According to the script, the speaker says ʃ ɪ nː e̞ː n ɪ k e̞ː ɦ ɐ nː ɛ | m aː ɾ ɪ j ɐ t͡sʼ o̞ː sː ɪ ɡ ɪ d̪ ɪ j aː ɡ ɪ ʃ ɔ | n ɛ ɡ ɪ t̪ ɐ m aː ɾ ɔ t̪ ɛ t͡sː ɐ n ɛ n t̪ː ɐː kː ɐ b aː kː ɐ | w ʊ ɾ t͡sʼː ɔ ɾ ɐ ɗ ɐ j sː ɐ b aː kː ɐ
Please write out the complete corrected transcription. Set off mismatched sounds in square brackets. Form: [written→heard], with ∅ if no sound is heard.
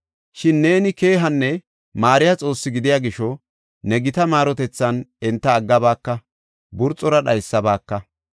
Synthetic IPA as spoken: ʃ ɪ nː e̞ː n ɪ k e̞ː ɦ ɐ nː ɛ | m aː ɾ ɪ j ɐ t͡sʼ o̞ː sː ɪ ɡ ɪ d̪ ɪ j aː ɡ ɪ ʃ ɔ | n ɛ ɡ ɪ t̪ ɐ m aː ɾ ɔ t̪ ɛ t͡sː ɐ n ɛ n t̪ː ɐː [kː→ɡː] ɐ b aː kː ɐ | [w→b] ʊ ɾ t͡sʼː ɔ ɾ ɐ ɗ ɐ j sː ɐ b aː kː ɐ